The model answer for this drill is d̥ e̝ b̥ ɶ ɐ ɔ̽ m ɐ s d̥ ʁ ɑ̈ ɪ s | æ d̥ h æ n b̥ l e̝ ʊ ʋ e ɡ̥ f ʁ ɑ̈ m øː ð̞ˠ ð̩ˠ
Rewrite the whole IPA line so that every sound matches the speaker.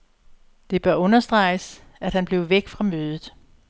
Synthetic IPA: d̥ e̝ b̥ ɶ ɐ ɔ̽ n ɐ s d̥ ʁ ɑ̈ ɪ s | æ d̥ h æ n b̥ l e̝ ʊ ʋ e ɡ̥ f ʁ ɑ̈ m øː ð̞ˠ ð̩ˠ